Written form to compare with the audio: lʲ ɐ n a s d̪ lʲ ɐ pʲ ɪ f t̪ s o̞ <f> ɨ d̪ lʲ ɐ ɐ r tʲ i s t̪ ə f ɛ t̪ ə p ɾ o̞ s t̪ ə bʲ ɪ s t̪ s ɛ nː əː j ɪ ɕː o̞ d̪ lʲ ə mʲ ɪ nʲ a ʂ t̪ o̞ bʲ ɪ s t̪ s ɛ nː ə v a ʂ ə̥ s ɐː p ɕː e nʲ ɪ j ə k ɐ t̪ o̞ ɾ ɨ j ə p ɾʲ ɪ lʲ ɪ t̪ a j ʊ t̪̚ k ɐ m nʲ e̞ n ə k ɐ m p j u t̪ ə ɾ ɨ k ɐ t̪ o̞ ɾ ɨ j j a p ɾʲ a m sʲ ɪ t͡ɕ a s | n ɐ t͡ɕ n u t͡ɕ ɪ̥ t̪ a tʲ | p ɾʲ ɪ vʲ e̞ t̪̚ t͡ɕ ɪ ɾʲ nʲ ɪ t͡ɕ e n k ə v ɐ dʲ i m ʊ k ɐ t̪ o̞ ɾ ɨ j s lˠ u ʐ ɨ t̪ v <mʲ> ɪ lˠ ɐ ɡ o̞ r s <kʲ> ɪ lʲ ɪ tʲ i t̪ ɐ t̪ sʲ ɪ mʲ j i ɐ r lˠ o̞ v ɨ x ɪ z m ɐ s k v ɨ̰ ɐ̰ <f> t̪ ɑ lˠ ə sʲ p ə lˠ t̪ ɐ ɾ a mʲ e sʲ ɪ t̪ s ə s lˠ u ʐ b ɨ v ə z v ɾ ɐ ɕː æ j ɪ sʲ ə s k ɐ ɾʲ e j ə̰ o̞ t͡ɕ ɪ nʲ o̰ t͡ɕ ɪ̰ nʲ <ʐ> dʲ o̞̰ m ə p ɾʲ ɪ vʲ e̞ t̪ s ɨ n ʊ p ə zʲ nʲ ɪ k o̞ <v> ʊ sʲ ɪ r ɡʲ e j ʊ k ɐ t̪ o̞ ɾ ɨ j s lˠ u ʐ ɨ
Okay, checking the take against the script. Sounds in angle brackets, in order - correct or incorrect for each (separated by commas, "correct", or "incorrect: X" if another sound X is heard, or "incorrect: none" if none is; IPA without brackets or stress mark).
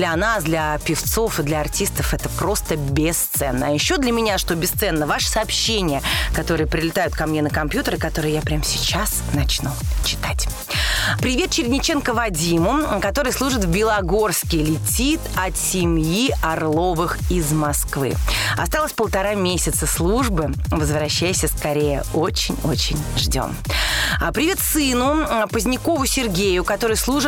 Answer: correct, incorrect: bʲ, correct, incorrect: s, correct, correct